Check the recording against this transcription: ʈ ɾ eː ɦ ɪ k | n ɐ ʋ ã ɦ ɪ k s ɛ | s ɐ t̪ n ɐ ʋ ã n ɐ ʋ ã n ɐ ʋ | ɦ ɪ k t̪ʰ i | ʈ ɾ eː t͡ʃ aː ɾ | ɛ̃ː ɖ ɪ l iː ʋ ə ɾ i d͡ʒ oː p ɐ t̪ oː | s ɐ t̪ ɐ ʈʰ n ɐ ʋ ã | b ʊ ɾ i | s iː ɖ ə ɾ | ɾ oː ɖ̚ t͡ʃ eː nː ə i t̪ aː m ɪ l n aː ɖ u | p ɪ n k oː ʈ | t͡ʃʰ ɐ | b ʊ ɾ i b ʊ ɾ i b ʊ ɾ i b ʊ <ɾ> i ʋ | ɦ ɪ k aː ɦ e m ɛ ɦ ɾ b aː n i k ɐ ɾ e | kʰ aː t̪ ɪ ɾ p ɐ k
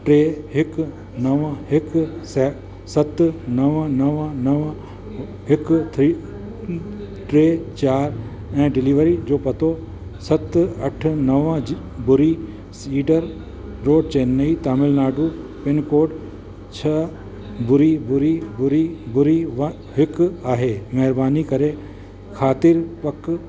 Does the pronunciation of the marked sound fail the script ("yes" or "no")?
no